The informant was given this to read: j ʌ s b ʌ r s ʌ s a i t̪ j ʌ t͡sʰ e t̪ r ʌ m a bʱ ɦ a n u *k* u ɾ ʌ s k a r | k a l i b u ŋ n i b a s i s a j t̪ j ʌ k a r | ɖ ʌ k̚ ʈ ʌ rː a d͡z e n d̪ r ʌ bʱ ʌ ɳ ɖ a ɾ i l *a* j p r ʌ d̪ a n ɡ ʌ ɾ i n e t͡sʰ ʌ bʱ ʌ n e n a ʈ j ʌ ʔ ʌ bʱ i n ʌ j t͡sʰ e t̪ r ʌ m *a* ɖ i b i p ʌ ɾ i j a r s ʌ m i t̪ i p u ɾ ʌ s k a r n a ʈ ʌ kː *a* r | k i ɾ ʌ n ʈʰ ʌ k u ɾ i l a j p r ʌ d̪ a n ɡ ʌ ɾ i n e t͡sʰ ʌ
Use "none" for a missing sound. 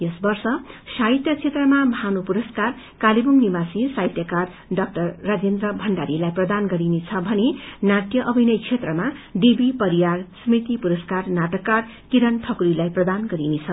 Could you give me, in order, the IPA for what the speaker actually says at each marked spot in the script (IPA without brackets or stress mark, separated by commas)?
p, a, a, a